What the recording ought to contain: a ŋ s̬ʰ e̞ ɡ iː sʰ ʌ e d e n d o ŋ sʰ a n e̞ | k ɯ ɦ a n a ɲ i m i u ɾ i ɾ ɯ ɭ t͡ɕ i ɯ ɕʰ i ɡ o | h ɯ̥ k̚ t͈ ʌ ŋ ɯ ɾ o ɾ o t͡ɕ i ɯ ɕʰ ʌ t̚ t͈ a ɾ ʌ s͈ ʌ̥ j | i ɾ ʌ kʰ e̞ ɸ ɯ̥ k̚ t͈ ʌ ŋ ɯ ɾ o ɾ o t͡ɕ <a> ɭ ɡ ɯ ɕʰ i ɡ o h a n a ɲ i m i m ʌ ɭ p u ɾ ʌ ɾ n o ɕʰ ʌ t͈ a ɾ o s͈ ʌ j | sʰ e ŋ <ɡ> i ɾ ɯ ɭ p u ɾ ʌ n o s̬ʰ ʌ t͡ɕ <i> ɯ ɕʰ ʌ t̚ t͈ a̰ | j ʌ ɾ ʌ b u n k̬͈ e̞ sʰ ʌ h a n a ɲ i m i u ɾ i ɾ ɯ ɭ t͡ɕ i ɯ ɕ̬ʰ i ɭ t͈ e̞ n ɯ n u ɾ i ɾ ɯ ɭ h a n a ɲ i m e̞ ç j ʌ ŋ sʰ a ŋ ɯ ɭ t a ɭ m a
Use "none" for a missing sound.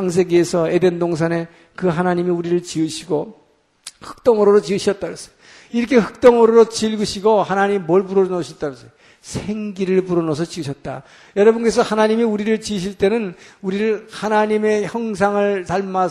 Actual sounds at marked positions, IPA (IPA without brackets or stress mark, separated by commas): i, ɡ, i